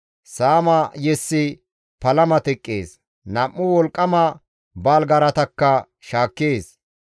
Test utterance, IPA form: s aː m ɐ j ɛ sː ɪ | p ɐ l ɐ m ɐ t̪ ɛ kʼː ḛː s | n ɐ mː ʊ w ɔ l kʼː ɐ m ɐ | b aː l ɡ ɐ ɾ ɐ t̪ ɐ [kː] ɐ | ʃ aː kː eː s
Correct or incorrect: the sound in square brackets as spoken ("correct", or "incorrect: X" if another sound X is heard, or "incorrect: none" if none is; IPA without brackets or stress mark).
correct